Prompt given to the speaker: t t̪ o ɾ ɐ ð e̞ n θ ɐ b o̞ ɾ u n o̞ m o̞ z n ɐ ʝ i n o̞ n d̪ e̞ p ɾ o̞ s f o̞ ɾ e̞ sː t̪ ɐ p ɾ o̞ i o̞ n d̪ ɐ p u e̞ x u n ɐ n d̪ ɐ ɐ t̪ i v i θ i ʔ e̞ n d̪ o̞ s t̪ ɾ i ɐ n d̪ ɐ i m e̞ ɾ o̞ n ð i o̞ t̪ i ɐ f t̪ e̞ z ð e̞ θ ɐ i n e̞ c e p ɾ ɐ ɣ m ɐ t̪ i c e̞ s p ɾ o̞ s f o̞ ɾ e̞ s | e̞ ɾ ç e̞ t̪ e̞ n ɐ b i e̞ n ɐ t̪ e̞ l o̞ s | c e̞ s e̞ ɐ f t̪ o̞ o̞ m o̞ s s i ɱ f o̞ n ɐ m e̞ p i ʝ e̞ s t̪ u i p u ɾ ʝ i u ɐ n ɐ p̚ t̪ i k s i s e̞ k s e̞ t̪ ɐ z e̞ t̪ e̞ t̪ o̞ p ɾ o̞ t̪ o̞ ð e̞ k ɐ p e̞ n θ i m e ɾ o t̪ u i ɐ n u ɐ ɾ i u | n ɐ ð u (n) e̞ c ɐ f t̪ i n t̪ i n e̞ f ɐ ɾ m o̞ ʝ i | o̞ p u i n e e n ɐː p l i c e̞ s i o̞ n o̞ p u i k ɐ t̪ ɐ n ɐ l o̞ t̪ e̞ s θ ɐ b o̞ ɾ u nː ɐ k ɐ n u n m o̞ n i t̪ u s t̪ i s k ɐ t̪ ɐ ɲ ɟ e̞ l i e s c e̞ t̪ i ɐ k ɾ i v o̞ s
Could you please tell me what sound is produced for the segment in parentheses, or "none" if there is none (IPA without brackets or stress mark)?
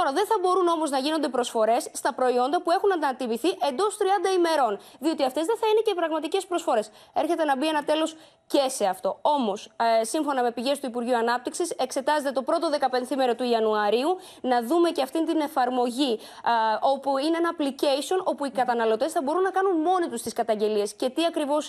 m